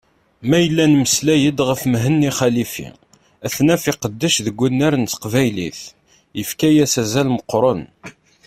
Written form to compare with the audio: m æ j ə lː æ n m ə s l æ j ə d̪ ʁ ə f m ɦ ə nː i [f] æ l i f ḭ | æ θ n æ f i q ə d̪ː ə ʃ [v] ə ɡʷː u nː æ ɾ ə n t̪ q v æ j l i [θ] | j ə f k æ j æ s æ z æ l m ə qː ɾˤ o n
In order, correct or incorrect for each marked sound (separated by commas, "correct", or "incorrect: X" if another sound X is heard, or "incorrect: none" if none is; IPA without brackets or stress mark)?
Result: incorrect: χ, incorrect: ð, correct